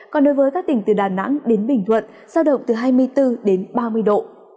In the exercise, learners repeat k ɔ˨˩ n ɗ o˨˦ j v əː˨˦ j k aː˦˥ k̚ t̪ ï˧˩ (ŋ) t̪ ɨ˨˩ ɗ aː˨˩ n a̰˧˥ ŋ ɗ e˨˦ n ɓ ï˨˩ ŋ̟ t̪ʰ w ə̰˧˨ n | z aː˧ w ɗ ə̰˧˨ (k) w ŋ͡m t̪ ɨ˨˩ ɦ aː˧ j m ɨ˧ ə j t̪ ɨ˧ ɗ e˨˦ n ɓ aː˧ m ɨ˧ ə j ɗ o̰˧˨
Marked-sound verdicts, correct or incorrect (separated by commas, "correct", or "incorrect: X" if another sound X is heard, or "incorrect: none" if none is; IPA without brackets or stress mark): correct, incorrect: none